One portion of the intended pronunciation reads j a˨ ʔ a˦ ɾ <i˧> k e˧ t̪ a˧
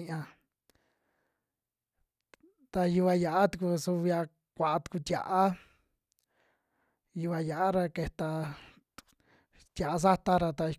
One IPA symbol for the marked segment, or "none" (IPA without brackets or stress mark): a˧